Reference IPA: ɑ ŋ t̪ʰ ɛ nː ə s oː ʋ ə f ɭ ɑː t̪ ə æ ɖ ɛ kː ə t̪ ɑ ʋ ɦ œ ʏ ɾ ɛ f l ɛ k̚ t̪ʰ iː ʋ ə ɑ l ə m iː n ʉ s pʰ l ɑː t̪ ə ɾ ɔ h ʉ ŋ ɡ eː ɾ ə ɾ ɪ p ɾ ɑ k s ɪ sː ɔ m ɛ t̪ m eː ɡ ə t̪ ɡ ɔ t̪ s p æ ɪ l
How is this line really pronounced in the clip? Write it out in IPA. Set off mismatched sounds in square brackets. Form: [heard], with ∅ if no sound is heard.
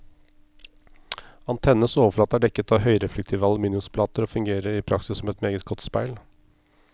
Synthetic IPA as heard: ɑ [n] t̪ʰ ɛ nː ə s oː ʋ ə f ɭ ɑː t̪ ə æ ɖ ɛ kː ə t̪ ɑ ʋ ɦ œ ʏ ɾ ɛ f l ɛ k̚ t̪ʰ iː ʋ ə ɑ l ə m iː n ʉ s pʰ l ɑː t̪ ə ɾ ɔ [f] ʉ ŋ ɡ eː ɾ ə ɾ ɪ [pʰ] ɾ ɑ k s ɪ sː ɔ m ɛ t̪ m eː ɡ ə t̪ ɡ ɔ t̪ s p æ ɪ l